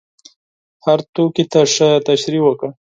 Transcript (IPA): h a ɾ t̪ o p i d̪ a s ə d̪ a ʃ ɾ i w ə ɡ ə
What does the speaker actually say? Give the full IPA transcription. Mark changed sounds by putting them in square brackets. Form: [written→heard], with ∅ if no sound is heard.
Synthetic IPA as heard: h a ɾ t̪ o [p→k] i [d̪→t̪] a [s→ʂ] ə [d̪→t̪] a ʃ ɾ i w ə [ɡ→k] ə